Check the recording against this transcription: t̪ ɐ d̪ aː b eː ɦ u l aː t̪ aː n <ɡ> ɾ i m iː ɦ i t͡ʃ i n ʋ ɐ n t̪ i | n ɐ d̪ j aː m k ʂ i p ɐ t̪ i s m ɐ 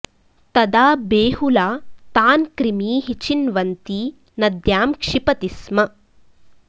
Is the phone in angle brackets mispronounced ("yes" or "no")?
yes